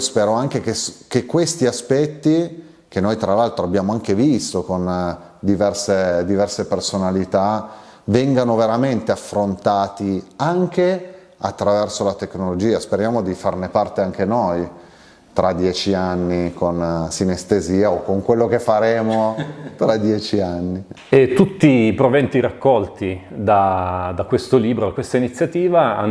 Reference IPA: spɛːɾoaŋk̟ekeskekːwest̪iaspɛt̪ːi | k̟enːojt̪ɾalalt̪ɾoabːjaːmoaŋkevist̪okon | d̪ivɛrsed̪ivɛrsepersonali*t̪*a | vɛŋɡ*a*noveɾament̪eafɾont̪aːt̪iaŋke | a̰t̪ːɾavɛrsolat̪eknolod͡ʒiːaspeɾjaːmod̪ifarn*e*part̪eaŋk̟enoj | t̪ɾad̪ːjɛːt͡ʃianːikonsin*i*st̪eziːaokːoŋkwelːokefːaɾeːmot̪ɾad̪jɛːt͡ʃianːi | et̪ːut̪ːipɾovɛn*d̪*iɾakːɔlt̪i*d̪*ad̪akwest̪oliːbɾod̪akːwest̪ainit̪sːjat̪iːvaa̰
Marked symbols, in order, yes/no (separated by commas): yes, yes, yes, no, no, yes